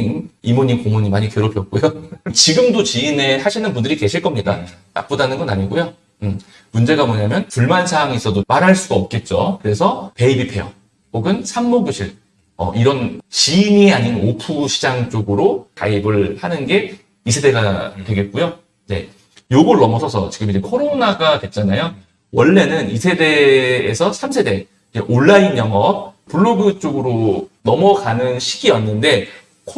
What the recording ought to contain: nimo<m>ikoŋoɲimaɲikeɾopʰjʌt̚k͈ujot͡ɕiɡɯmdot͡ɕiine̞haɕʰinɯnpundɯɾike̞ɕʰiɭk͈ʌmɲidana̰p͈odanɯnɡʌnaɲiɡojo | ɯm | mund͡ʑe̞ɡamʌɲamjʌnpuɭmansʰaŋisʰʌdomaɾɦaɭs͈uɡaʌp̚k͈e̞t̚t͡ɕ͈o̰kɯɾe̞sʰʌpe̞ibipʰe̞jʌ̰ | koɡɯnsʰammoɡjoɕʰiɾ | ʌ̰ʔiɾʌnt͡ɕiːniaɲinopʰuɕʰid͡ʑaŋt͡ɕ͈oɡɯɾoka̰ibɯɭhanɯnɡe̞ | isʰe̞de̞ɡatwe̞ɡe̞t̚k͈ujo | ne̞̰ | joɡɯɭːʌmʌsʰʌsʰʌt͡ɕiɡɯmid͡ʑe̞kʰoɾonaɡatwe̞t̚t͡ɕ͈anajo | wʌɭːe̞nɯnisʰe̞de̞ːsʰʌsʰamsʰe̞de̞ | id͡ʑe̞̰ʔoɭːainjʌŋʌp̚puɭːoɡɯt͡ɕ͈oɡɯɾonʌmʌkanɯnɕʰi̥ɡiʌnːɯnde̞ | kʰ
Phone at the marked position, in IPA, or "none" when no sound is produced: ɲ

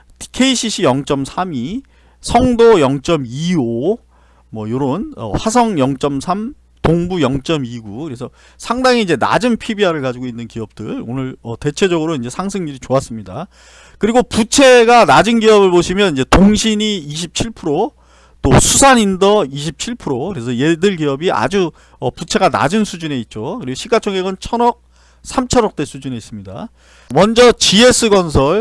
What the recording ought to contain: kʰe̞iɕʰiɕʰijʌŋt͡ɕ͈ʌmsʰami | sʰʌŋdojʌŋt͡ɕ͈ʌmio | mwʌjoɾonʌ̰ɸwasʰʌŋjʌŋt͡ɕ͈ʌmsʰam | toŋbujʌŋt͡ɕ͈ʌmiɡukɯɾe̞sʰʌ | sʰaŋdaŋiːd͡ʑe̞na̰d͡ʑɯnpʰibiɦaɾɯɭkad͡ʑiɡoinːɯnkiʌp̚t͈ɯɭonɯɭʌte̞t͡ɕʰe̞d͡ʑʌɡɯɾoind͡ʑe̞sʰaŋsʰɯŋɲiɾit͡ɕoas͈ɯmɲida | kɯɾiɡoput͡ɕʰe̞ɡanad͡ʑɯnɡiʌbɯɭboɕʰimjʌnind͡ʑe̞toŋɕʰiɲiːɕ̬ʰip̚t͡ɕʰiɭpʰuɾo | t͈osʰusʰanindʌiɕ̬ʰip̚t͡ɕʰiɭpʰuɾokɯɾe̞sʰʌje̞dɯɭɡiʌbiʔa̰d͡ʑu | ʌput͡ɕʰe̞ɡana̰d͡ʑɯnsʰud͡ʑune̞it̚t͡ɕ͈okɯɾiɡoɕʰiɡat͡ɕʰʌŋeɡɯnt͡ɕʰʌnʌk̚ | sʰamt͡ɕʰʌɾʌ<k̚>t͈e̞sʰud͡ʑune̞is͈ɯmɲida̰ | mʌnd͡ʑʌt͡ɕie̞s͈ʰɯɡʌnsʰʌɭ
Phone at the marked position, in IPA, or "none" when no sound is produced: k̚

